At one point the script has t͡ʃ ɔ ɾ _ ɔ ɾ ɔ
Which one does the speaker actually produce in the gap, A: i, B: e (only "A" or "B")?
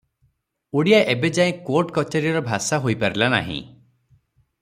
A